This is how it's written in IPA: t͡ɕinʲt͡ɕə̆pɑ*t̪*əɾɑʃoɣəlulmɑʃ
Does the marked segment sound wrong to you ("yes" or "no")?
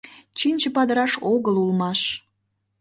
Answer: yes